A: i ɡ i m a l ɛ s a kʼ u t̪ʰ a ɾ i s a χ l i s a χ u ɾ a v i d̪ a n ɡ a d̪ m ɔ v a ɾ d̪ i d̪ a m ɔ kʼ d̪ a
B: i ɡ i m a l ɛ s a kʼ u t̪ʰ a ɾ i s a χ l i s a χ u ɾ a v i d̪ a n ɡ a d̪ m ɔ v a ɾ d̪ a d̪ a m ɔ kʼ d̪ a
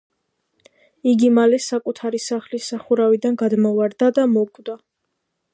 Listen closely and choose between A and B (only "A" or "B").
B